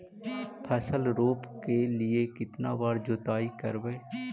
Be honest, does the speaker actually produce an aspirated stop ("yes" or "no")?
yes